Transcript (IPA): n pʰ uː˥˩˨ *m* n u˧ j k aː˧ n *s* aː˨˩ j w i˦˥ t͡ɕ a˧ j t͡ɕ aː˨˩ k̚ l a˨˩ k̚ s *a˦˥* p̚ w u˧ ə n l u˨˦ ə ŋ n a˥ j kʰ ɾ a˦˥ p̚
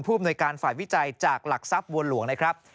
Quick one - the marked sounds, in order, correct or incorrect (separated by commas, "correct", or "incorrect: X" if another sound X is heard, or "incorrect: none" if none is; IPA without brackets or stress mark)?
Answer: correct, incorrect: f, correct